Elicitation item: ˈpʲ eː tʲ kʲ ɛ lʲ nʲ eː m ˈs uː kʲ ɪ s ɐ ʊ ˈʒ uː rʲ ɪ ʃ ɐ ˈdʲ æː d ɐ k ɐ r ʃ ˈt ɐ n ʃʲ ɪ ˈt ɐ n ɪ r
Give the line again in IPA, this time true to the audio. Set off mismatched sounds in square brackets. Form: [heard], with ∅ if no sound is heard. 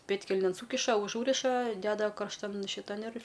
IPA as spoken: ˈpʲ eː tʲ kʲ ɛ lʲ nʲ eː [n] ˈs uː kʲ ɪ [ʃ] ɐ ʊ ˈʒ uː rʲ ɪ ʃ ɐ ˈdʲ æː d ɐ k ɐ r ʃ ˈt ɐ n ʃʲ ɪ ˈt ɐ n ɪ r